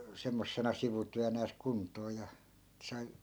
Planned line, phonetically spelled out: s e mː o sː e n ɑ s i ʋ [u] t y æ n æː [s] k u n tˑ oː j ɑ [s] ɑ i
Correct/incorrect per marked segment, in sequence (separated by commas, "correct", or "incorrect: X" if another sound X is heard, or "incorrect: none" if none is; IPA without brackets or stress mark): correct, correct, correct